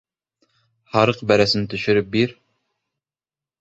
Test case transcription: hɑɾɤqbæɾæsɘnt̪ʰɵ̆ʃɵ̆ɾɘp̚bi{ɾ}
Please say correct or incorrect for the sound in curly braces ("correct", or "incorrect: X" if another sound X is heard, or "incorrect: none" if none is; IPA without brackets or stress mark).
correct